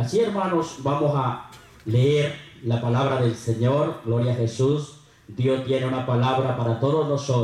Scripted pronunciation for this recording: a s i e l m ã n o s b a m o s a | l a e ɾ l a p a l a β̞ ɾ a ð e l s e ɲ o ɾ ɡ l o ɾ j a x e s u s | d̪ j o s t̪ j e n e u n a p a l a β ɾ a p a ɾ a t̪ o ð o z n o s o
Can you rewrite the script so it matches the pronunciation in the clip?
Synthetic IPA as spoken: a s i e ɾ m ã n o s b a m o s a | l e e ɾ l a p a l a β̞ ɾ a ð e l s e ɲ o ɾ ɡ l o ɾ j a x e s u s | d̪ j o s t̪ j e n e u n a p a l a β ɾ a p a ɾ a t̪ o ð o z n o s o